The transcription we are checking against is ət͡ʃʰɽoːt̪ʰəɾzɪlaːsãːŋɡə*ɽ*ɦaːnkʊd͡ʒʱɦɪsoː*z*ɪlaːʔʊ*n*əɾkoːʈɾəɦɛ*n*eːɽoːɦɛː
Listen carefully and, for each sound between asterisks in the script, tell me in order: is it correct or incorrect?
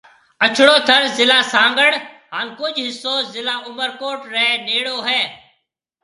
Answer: correct, correct, incorrect, correct

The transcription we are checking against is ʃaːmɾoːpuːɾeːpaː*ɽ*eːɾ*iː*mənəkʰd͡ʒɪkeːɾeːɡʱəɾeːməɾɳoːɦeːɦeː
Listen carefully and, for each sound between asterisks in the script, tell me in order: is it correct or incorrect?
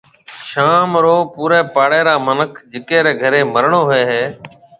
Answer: correct, incorrect

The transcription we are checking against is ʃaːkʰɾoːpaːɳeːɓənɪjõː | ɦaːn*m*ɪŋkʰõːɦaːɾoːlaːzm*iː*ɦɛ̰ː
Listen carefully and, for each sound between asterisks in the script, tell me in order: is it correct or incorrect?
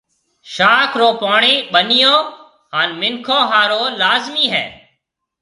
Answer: correct, correct

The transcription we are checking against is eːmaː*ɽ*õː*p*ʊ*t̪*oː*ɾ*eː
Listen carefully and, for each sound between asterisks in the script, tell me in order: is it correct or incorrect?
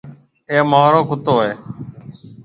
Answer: incorrect, incorrect, correct, incorrect

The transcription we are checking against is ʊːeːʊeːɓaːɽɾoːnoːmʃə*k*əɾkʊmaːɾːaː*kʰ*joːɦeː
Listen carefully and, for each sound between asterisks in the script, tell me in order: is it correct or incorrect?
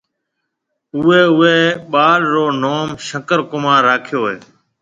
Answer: correct, correct

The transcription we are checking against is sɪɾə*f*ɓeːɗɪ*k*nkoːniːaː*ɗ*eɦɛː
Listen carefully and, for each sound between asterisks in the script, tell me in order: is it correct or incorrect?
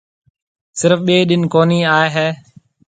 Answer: correct, incorrect, incorrect

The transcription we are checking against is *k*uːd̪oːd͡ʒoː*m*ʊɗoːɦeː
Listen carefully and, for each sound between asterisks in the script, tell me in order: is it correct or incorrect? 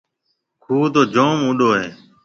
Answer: incorrect, correct

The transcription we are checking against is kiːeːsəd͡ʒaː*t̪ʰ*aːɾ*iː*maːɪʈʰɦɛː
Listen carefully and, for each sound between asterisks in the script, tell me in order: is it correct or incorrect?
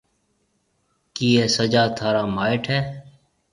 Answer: correct, incorrect

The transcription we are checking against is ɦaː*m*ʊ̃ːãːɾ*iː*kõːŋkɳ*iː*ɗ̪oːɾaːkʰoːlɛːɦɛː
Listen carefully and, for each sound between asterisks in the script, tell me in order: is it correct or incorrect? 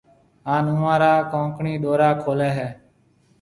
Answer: incorrect, incorrect, correct

